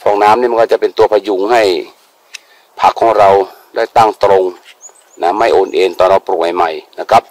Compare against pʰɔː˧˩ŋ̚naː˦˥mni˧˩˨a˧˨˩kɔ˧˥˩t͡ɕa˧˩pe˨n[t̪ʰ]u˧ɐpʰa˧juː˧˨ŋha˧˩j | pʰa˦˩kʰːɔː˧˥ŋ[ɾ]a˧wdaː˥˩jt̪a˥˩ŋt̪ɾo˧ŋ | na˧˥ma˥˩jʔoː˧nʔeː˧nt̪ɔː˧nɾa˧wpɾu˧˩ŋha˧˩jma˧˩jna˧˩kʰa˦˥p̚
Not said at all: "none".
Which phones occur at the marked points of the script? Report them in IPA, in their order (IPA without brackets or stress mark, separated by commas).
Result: t̪, ɾ